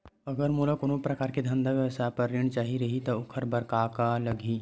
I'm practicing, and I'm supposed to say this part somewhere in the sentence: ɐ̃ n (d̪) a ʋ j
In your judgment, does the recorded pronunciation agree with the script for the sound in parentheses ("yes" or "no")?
yes